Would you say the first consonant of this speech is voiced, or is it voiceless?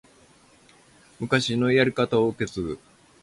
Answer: voiced